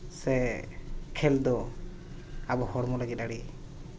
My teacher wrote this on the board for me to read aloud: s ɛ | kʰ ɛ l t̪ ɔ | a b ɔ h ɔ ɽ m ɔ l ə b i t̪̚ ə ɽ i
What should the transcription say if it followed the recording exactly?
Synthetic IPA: s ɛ | kʰ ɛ l d̪ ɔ | a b ɔ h ɔ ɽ m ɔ l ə ɡ i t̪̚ a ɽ i